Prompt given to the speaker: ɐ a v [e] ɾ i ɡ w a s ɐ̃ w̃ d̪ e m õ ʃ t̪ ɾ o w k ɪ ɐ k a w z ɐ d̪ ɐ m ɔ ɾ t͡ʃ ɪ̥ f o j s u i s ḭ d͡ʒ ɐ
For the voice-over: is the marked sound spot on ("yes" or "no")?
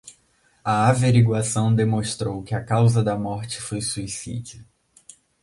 yes